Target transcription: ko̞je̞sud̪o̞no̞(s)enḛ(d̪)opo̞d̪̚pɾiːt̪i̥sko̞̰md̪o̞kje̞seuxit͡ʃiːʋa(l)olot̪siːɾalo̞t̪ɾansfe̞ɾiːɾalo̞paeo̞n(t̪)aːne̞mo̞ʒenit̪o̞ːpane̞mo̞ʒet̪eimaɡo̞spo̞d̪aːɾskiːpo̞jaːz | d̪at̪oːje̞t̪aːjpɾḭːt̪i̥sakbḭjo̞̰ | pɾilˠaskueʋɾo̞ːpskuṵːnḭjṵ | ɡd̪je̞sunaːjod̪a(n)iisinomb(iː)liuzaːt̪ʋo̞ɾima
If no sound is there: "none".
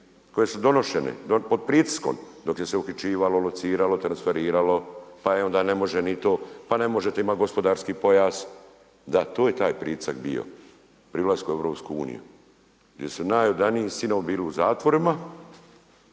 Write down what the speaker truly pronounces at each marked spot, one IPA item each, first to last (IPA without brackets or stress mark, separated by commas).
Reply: ʃ, d̪, l, d̪, n, iː